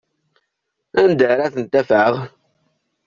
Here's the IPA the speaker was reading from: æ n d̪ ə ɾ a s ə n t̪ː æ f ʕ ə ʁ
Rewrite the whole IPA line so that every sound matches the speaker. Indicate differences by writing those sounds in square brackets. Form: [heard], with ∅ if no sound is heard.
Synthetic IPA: æ n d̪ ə ɾ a [θ] ə n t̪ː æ f ʕ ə ʁ